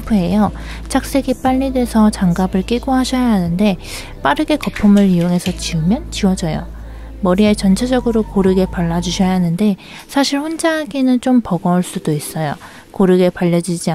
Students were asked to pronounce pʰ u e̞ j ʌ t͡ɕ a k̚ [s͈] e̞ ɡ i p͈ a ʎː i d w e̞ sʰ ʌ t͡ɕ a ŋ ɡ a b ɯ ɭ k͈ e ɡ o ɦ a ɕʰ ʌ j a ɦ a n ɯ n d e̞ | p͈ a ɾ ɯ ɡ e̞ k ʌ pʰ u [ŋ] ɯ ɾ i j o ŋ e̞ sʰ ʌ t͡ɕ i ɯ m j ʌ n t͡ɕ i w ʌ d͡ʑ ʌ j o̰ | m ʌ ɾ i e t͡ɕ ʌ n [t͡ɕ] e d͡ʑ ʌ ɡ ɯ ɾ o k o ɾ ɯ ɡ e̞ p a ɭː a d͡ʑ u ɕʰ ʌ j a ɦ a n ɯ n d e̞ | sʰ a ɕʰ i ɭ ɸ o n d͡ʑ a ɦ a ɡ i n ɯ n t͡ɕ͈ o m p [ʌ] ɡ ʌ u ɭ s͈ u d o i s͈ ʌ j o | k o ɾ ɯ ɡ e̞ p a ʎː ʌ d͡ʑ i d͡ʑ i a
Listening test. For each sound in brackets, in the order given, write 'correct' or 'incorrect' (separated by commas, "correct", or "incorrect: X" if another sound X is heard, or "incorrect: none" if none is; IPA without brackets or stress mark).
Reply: correct, incorrect: m, incorrect: t͡ɕʰ, correct